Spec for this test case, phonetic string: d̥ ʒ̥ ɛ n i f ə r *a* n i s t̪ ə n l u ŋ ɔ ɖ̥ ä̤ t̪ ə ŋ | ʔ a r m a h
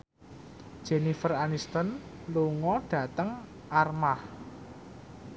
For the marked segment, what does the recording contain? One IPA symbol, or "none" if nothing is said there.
a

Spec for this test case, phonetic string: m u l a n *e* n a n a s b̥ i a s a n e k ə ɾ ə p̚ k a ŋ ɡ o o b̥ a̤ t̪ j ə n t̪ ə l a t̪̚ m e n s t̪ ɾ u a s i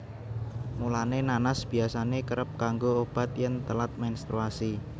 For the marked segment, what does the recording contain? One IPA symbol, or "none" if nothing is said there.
e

